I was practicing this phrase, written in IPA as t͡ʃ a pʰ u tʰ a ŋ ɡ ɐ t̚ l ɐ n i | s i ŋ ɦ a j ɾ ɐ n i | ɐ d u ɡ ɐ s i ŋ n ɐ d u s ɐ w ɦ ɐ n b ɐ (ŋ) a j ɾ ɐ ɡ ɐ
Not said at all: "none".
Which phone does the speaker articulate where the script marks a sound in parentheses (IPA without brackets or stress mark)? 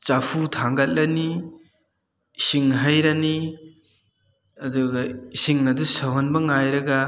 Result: ŋ